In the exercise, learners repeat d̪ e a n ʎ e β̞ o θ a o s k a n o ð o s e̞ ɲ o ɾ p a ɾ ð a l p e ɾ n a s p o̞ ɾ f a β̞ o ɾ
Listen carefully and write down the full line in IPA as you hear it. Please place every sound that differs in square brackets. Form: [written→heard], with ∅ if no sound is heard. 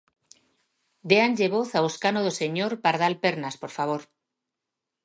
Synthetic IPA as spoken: d̪ e a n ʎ e β̞ o θ a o s k a n o ð o s e̞ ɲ o ɾ p a ɾ ð a l p e ɾ n a s p o̞ ɾ f a β̞ o ɾ